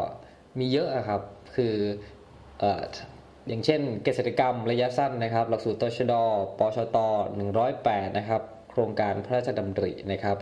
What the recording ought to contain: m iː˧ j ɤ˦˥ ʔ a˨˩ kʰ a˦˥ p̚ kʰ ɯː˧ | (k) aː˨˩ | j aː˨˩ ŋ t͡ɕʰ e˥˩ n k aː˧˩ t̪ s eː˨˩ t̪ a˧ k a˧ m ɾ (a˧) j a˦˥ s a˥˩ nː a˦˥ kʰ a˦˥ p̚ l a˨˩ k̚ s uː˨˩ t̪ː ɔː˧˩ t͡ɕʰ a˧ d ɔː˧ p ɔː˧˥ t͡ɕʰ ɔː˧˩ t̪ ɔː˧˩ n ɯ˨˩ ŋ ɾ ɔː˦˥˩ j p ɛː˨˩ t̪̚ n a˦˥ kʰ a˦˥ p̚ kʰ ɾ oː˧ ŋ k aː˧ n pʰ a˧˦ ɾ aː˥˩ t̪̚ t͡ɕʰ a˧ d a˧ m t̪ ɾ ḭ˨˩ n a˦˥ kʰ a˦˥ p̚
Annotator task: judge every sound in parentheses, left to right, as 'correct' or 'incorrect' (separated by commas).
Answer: incorrect, correct